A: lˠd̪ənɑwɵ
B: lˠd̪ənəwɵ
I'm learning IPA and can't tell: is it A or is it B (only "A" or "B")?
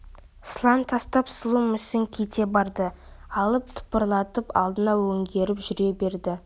A